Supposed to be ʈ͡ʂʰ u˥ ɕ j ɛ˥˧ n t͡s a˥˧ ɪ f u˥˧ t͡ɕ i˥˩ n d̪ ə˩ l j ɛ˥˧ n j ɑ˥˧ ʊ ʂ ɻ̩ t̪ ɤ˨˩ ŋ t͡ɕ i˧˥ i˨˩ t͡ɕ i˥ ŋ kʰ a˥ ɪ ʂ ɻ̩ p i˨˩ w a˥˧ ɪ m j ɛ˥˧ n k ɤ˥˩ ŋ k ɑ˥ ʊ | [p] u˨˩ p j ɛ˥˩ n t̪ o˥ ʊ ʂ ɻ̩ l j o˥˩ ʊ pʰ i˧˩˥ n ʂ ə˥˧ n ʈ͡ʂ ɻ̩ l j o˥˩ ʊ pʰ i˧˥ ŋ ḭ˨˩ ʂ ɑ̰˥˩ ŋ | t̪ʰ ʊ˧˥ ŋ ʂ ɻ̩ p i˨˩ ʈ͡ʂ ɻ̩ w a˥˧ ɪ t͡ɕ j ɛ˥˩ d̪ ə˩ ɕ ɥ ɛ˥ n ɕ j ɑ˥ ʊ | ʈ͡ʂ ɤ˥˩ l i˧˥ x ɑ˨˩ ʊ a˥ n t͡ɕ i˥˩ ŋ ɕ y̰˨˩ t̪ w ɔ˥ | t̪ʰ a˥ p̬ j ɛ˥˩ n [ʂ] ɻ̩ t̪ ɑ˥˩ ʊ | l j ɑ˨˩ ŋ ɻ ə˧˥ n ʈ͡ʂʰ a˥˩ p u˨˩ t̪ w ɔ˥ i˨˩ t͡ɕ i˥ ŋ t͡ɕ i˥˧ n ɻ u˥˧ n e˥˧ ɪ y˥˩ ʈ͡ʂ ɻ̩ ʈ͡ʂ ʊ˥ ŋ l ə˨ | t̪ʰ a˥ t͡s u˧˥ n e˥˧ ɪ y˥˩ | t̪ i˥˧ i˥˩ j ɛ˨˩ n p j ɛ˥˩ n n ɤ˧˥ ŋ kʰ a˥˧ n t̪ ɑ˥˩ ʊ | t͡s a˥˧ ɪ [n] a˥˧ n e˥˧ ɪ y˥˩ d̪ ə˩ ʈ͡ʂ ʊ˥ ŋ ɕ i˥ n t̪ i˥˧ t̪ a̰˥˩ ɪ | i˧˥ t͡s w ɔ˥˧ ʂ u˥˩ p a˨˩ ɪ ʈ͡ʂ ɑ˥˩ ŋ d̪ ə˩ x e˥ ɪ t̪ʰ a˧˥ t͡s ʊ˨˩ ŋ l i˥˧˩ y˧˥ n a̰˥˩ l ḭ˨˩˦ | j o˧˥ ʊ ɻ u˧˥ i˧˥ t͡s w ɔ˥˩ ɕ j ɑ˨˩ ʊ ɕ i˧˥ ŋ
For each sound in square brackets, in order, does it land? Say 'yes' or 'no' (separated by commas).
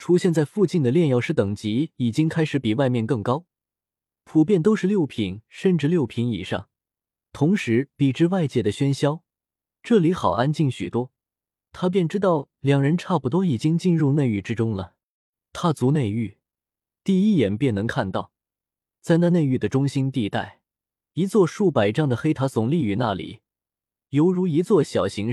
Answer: no, no, yes